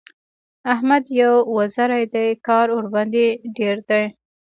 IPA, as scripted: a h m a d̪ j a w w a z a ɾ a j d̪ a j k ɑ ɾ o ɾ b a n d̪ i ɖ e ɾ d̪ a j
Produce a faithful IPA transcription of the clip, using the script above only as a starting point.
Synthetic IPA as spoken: a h m a d̪ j a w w a z a ɾ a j d̪ a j k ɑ ɾ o ɾ b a n d̪ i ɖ e ɾ d̪ a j